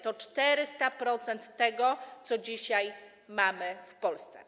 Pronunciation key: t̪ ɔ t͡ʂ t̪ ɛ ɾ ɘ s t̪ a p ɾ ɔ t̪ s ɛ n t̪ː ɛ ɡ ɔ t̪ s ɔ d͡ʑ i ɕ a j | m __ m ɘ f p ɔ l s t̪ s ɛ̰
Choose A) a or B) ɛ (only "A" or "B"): A